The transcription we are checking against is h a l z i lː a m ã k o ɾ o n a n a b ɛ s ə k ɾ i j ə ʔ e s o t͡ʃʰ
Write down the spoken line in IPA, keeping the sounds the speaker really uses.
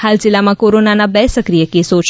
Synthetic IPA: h a l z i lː a m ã k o ɾ o n a n a b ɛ s ə k ɾ i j ə k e s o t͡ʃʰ